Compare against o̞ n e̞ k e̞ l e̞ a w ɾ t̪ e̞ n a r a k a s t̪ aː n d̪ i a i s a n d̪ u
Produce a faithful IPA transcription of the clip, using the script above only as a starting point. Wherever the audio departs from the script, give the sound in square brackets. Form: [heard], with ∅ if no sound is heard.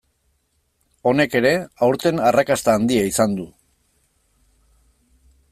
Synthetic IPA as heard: o̞ n e̞ k e̞ [ɾ] e̞ a w ɾ t̪ e̞ n a r a k a s t̪ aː n d̪ i a i s a n d̪ u